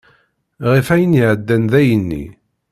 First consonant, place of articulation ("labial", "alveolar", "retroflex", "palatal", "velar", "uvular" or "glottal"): uvular